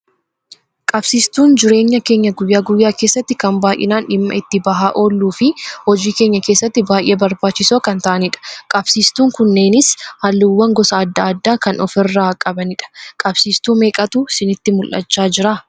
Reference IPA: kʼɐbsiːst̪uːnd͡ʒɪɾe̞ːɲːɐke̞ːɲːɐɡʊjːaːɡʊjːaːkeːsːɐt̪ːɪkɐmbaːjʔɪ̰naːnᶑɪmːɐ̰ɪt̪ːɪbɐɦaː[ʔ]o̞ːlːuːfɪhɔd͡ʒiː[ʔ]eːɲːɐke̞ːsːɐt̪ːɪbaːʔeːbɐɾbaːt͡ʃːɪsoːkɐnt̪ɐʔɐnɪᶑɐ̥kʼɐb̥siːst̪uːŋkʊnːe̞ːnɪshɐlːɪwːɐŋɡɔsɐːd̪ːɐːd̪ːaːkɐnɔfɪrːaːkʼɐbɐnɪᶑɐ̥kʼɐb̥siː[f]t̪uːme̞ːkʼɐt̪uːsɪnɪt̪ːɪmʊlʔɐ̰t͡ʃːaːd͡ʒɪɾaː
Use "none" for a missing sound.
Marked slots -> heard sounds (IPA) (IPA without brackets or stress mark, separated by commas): ʔ, k, s